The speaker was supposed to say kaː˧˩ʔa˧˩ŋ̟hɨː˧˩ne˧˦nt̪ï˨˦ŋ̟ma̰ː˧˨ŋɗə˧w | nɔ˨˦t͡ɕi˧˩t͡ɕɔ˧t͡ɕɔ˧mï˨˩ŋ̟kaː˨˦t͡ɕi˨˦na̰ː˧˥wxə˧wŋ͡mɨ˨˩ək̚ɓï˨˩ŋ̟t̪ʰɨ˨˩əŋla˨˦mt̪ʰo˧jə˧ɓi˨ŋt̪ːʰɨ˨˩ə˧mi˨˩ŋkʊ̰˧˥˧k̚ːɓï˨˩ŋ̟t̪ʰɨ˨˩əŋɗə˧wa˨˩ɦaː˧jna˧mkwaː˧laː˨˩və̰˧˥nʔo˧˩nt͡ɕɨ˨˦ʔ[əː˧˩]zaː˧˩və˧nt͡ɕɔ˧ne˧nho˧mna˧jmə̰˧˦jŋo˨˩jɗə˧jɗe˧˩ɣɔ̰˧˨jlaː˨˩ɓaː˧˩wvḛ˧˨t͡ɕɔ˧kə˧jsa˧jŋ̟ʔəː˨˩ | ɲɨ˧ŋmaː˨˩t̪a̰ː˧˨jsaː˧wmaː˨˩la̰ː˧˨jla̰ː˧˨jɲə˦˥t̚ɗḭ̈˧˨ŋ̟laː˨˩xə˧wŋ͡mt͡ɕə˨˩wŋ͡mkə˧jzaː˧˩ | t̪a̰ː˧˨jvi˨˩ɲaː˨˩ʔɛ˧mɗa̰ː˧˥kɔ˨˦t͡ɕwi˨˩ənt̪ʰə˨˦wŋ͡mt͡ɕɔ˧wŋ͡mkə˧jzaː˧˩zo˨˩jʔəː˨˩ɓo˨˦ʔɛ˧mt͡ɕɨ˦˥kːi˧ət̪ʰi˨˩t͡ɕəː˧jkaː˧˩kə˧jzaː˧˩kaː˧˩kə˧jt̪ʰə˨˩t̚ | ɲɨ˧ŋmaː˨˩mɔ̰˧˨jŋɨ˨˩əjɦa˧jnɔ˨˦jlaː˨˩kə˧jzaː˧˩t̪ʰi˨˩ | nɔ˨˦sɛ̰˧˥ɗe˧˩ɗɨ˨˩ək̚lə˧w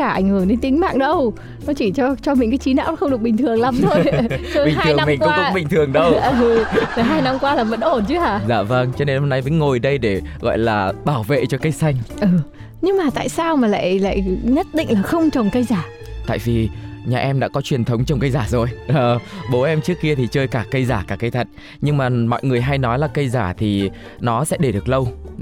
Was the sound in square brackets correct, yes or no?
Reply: no